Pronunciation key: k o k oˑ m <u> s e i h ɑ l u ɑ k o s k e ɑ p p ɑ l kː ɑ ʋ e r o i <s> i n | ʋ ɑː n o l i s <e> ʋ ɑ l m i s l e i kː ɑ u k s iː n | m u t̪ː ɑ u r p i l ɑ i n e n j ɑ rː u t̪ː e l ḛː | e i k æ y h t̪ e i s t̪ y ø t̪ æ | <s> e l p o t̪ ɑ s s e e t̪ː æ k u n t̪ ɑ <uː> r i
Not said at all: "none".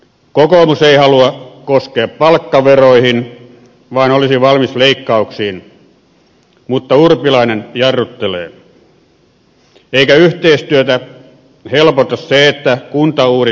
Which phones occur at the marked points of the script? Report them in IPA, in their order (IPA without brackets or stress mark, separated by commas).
u, h, i, h, uː